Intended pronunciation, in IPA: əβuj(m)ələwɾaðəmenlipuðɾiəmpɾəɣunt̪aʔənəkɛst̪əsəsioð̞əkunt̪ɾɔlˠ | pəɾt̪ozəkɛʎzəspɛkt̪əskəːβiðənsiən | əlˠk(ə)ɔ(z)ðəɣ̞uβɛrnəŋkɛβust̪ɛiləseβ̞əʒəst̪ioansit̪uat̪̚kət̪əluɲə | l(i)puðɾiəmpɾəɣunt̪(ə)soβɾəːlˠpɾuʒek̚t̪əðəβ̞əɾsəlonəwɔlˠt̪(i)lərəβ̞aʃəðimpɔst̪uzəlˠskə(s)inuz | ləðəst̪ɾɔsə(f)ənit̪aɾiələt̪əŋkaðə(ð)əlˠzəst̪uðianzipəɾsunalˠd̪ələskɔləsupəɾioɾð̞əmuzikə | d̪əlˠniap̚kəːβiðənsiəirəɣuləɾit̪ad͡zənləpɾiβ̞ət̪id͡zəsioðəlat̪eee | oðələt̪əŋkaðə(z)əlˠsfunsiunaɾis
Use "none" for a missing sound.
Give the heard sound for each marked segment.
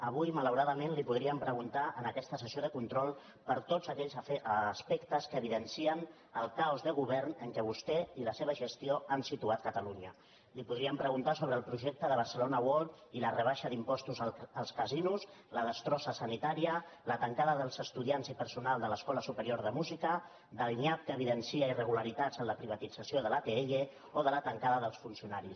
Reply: m, a, z, i, a, i, z, s, ð, ð

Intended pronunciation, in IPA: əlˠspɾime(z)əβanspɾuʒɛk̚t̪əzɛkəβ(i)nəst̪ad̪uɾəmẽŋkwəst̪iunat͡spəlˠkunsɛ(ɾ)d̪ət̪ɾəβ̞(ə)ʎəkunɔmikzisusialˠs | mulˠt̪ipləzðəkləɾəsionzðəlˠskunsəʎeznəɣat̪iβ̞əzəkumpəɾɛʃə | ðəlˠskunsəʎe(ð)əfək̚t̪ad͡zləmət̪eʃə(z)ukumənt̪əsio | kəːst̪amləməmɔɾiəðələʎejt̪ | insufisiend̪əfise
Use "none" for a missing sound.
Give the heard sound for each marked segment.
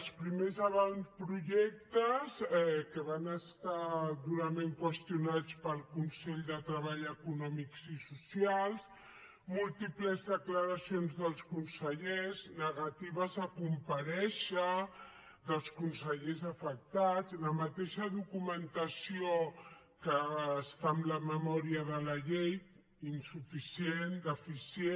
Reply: z, a, ʎ, a, z, ð

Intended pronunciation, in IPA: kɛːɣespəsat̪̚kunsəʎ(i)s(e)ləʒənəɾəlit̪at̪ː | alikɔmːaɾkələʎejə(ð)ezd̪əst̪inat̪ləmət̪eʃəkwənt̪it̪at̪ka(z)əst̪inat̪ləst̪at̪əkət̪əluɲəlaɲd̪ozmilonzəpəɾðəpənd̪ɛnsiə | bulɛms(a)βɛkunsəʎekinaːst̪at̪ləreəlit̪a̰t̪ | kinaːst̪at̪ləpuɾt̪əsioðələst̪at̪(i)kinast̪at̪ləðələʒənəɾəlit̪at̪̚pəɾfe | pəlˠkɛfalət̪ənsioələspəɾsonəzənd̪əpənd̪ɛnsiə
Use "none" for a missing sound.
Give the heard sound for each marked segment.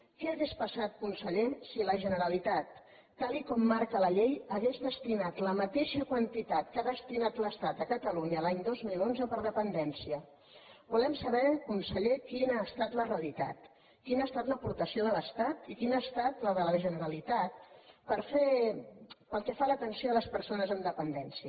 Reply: e, i, ɣ, ð, ə, i

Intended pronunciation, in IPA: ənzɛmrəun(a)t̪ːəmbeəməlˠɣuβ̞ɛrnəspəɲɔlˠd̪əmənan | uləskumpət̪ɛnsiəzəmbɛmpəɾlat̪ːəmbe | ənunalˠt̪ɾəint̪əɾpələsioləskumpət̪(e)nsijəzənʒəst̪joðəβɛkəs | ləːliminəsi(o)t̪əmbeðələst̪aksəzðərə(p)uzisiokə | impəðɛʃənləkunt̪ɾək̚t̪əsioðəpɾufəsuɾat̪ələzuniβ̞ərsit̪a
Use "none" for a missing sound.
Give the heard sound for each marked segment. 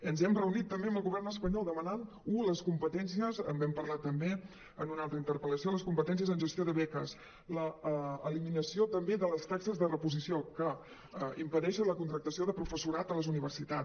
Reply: i, ɛ, o, p

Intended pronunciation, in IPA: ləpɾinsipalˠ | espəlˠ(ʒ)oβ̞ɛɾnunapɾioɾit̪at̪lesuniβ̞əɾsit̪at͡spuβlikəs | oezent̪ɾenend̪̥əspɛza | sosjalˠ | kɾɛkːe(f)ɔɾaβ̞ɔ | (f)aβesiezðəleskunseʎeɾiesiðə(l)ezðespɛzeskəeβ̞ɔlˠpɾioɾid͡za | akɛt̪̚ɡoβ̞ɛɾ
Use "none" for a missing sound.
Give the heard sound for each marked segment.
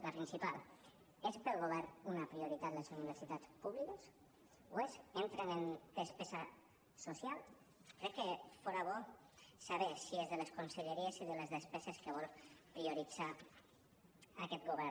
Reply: ɣ, f, s, l

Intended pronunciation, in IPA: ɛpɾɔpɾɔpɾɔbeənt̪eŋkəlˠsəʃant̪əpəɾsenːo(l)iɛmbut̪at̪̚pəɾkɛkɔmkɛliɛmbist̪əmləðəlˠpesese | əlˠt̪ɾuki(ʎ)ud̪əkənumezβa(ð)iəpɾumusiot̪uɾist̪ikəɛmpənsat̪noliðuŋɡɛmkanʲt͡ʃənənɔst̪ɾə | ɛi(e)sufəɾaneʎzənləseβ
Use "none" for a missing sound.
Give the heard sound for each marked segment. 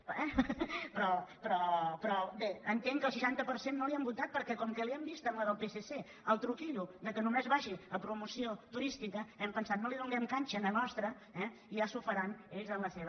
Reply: l, ʎ, ʒ, a

